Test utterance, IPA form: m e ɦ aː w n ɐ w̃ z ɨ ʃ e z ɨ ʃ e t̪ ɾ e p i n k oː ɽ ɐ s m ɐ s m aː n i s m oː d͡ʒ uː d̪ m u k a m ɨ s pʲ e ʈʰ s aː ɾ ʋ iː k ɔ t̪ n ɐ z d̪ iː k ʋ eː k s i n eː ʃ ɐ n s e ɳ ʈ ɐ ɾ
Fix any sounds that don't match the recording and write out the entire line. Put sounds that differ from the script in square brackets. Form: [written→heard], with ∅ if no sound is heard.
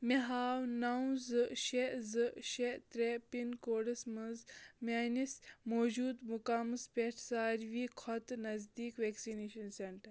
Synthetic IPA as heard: m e ɦ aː w n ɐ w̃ z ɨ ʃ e z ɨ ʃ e t̪ ɾ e p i n k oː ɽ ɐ s m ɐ [s→z] m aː n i s m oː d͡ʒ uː d̪ m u k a m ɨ s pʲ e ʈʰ s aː ɾ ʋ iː [k→kʰ] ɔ t̪ n ɐ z d̪ iː k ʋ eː k s i n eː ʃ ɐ n s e ɳ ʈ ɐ ɾ

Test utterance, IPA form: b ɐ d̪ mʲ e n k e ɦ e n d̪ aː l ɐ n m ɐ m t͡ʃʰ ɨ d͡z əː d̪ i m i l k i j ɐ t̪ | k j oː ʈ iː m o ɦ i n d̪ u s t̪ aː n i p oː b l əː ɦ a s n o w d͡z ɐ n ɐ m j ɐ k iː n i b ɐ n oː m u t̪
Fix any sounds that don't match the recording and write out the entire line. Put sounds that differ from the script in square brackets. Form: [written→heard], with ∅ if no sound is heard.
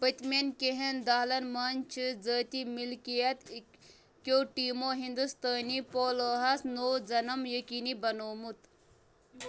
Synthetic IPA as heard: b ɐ [d̪→t̪] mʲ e n k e ɦ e n d̪ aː l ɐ n m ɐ [m→n] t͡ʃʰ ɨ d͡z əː [d̪→t̪] i m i l k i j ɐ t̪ | k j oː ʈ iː m o ɦ i n d̪ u s t̪ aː n i p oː [b→∅] l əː ɦ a s n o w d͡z ɐ n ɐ m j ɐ k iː n i b ɐ n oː m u t̪

